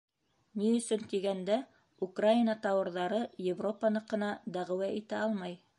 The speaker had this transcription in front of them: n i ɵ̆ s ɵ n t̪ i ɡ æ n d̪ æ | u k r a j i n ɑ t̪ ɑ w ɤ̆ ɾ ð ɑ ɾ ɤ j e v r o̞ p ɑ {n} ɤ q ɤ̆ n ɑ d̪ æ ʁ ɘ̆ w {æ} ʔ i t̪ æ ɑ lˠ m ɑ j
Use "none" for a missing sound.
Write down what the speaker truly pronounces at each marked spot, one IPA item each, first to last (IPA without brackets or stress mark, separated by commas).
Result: n, æ